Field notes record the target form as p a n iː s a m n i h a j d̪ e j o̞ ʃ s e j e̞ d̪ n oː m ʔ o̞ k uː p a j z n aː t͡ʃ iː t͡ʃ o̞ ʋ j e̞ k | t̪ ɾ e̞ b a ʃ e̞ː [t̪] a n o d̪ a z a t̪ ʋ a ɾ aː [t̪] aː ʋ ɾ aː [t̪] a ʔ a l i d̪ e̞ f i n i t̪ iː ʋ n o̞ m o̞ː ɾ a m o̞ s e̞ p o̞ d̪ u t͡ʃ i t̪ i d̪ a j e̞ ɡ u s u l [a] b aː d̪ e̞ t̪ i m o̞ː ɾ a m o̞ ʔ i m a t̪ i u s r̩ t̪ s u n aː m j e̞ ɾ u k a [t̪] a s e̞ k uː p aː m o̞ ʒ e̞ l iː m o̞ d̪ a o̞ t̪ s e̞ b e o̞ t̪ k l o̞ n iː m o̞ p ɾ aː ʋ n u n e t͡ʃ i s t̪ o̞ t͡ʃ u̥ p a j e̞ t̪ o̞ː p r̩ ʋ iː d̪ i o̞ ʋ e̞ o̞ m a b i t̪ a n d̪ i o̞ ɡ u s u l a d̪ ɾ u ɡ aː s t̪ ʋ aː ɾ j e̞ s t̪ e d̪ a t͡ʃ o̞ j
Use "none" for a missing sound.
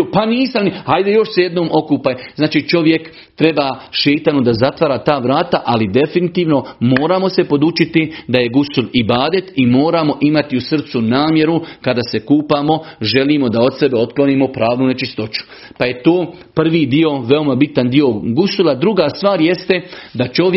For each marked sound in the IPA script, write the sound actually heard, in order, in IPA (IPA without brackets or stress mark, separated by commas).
t̪, t̪, t̪, i, d̪